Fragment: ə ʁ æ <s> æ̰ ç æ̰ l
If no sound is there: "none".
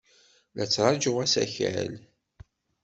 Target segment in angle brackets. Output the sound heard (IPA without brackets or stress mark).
s